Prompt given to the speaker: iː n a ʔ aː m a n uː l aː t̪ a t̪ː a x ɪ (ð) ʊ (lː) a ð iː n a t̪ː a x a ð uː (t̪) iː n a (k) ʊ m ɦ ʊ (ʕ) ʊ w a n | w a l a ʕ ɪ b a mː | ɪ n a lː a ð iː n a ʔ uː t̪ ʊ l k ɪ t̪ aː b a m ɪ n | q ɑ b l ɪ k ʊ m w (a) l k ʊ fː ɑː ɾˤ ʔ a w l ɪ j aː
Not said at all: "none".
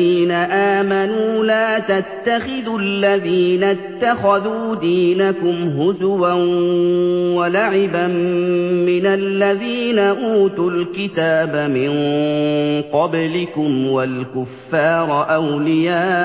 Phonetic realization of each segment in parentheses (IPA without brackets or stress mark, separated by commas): ð, lː, d̪, k, z, a